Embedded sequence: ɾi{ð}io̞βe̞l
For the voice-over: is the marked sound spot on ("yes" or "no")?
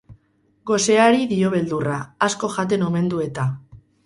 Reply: yes